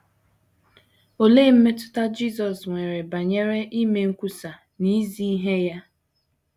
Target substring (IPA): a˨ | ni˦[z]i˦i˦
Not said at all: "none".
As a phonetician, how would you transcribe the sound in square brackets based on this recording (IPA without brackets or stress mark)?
z